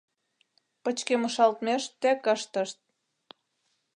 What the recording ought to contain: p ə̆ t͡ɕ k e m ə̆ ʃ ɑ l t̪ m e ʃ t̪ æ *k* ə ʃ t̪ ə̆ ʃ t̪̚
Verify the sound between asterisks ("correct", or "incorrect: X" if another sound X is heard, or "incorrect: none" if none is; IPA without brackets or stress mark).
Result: correct